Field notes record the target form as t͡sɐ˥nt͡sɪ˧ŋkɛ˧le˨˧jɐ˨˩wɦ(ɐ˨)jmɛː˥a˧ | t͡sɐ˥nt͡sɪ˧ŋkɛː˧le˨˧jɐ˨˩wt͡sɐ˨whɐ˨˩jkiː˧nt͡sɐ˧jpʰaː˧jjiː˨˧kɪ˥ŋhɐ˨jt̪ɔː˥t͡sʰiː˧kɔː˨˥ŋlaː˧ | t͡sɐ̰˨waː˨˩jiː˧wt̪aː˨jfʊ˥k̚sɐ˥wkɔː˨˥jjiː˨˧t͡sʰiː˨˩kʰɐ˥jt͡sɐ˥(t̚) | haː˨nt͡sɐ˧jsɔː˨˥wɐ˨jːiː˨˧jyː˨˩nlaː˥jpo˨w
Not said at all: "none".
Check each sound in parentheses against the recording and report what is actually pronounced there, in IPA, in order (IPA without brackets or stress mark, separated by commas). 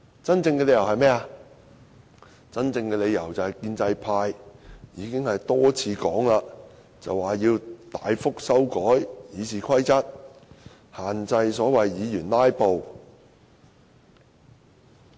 ɐ˨, t̚